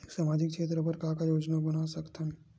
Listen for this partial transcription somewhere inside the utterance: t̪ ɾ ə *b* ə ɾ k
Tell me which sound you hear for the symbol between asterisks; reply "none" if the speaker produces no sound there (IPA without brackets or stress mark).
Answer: p